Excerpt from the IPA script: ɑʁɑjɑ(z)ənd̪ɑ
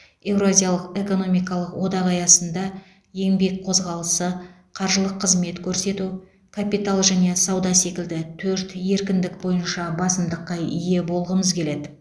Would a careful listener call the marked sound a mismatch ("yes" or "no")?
yes